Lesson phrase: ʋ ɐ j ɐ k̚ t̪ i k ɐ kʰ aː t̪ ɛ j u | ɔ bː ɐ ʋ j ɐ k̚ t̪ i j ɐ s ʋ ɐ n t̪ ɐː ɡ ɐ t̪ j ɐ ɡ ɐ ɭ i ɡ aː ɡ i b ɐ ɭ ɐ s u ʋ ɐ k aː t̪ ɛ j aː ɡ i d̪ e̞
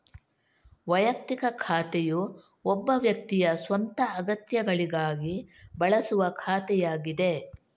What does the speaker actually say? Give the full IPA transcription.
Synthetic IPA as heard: ʋ ɐ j ɐ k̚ t̪ i k ɐ kʰ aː t̪ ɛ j u | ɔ bː ɐ ʋ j ɐ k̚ t̪ i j ɐ s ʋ ɐ n t̪ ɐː ɡ ɐ t̪ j ɐ ɡ ɐ ɭ i ɡ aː ɡ i b ɐ ɭ ɐ s u ʋ ɐ kʰ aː t̪ ɛ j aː ɡ i d̪ e̞